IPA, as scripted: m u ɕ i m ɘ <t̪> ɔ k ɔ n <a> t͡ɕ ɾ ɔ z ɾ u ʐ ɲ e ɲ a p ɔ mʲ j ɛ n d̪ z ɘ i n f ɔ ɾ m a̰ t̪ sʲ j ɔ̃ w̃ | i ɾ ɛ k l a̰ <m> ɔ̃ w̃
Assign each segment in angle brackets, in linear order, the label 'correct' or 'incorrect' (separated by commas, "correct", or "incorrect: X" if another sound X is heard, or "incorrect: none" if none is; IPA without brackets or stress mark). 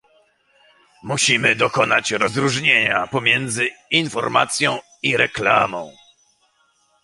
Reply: incorrect: d̪, correct, correct